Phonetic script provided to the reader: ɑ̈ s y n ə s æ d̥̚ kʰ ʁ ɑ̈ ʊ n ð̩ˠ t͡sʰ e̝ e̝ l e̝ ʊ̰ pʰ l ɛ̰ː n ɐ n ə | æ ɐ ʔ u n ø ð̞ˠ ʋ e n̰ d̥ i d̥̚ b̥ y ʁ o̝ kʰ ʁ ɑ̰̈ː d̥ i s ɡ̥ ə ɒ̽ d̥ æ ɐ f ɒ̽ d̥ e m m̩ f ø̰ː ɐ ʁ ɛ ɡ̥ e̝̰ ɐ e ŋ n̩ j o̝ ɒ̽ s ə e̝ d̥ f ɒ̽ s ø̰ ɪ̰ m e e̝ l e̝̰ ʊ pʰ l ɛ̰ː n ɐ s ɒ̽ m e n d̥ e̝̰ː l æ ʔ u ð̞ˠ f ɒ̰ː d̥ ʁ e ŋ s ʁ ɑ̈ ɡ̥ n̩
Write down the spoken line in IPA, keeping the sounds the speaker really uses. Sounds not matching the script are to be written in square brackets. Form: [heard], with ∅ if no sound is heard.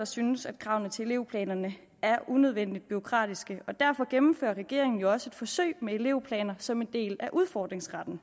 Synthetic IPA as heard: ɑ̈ s y n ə s æ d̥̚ kʰ ʁ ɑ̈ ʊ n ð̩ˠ t͡sʰ e̝ e̝ l e̝ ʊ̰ pʰ l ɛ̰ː n ɐ n ə | æ ɐ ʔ u n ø ð̞ˠ ʋ e n̰ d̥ i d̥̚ b̥ y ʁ o̝ kʰ ʁ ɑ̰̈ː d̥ i s ɡ̥ ə ɒ̽ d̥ æ ɐ f ɒ̽ [ɡ̥] e m m̩ f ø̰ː ɐ ʁ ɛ ɡ̥ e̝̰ ɐ e ŋ n̩ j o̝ ɒ̽ s ə e̝ d̥ f ɒ̽ s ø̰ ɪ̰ m e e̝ l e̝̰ ʊ pʰ l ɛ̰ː n ɐ s ɒ̽ m e n d̥ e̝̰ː l æ ʔ u ð̞ˠ f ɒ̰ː d̥ ʁ e ŋ s ʁ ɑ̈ [d̥] n̩

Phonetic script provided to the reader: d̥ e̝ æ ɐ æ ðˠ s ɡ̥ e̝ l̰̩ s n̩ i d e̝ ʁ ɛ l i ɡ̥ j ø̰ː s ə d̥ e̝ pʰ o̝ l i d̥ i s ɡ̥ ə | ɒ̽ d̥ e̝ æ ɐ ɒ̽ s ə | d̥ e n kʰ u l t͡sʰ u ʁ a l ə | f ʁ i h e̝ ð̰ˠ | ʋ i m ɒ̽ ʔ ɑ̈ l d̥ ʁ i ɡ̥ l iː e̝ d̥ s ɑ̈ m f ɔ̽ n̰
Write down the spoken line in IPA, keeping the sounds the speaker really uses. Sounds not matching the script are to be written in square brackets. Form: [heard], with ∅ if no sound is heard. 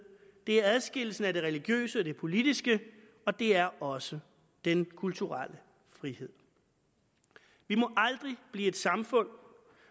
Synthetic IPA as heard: d̥ e̝ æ ɐ æ ðˠ s ɡ̥ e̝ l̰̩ s n̩ [æ] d e̝ ʁ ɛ l i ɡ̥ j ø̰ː s ə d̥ e̝ pʰ o̝ l i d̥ i s ɡ̥ ə | ɒ̽ d̥ e̝ æ ɐ ɒ̽ s ə | d̥ e n kʰ u l t͡sʰ u ʁ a l ə | f ʁ i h e̝ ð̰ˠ | ʋ i m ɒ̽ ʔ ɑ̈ l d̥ ʁ i [b̥] l iː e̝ d̥ s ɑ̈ m f ɔ̽ n̰

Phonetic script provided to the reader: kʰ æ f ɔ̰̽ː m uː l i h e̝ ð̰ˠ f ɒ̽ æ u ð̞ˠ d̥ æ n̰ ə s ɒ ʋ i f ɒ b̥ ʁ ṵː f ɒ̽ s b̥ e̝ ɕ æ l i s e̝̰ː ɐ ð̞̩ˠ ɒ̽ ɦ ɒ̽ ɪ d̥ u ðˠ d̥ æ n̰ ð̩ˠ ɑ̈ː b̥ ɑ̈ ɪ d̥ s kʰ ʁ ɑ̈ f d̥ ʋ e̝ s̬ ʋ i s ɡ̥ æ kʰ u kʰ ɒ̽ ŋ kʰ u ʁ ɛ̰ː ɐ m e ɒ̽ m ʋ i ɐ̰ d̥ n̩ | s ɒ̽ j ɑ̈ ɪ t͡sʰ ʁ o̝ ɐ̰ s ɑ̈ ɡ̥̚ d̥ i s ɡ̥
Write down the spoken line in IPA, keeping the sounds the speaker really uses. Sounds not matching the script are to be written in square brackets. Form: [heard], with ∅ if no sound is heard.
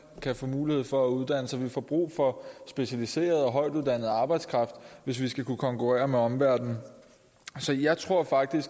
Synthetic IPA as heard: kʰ æ f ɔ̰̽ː m uː l i h e̝ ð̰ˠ f ɒ̽ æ u ð̞ˠ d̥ æ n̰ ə s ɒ ʋ i f ɒ b̥ ʁ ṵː f ɒ̽ s b̥ e̝ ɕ æ l i s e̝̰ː ɐ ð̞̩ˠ ɒ̽ ɦ ɒ̽ ɪ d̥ u ðˠ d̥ æ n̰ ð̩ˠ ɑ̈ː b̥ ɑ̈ ɪ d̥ s kʰ ʁ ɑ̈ f d̥ ʋ e̝ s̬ ʋ i s ɡ̥ æ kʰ u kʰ ɒ̽ ŋ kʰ u ʁ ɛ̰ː ɐ m e ɒ̽ m ʋ [æ] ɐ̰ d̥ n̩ | s ɒ̽ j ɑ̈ ɪ t͡sʰ ʁ o̝ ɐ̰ [f] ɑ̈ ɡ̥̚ d̥ i s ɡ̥

